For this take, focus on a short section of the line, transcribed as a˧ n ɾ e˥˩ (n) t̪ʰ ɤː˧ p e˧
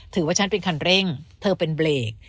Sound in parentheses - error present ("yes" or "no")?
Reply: yes